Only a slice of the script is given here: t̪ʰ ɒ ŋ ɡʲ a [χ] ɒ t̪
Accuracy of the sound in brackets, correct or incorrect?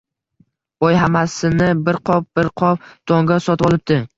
incorrect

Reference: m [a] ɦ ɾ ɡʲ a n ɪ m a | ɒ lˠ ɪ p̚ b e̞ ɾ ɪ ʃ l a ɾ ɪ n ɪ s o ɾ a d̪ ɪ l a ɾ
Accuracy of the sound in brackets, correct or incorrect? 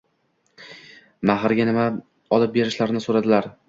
correct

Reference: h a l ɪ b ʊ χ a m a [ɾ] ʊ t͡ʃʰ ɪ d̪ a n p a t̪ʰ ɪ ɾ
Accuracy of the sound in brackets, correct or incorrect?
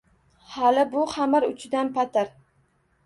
correct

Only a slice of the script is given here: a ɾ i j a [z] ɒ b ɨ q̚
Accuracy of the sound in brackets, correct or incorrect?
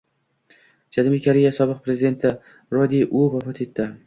incorrect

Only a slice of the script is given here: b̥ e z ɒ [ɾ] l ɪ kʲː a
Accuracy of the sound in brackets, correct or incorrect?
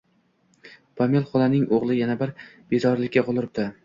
correct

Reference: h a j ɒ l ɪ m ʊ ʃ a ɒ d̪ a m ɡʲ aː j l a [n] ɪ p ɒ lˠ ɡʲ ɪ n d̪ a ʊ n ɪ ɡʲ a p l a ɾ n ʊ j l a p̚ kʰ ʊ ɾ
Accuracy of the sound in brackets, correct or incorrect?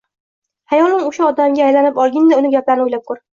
correct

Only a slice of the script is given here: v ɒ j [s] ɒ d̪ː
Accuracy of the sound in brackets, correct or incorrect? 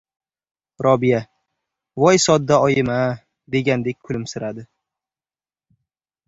correct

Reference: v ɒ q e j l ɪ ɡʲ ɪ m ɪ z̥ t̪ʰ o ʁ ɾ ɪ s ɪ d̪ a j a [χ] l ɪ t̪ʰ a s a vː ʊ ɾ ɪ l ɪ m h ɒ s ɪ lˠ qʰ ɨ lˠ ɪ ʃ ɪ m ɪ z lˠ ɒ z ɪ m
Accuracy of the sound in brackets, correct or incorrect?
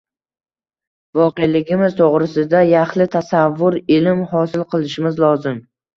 correct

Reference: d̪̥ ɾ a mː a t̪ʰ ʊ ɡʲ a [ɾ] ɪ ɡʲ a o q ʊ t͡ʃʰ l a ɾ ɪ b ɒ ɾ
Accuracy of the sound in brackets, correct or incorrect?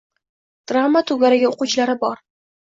correct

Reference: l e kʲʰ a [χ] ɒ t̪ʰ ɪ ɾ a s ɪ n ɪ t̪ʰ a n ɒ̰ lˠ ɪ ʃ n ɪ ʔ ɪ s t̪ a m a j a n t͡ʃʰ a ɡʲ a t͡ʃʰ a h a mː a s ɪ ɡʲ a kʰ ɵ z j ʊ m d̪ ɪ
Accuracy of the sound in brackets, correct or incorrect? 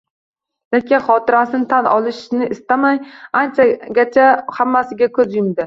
correct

